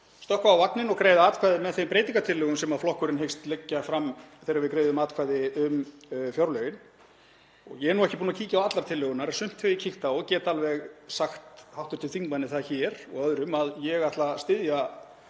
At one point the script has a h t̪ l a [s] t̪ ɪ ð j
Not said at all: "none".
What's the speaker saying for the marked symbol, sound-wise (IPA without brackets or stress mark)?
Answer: s